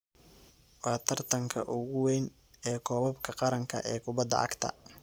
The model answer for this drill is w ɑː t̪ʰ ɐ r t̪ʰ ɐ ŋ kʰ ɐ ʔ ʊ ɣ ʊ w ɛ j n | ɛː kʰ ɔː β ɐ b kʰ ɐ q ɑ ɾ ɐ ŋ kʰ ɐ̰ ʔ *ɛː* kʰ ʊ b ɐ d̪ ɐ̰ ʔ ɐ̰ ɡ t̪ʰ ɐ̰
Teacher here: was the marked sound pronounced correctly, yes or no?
yes